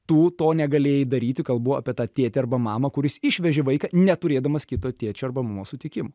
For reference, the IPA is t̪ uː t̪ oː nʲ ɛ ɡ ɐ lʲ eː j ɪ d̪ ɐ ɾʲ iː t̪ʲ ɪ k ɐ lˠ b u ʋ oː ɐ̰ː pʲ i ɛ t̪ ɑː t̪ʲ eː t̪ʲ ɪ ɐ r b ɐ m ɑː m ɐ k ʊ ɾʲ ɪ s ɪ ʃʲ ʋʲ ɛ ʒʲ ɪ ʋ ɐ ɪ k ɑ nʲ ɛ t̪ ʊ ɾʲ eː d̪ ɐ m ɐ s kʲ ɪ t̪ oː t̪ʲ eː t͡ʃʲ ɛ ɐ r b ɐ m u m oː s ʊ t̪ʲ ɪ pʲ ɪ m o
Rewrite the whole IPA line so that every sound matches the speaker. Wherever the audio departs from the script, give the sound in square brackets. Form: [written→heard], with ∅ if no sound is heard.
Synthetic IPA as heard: t̪ uː t̪ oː nʲ ɛ ɡ ɐ lʲ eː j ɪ d̪ ɐ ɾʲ iː t̪ʲ ɪ k ɐ lˠ b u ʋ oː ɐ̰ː pʲ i ɛ t̪ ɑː t̪ʲ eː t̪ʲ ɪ ɐ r b ɐ m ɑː m ɐ k ʊ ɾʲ ɪ s ɪ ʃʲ ʋʲ ɛ ʒʲ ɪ ʋ ɐ ɪ k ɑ nʲ ɛ t̪ ʊ ɾʲ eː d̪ ɐ m ɐ s kʲ ɪ t̪ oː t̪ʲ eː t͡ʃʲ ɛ ɐ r b ɐ m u m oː s ʊ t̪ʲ ɪ [pʲ→kʲ] ɪ m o